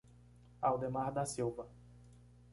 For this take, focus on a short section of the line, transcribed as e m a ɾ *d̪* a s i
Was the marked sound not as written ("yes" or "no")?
no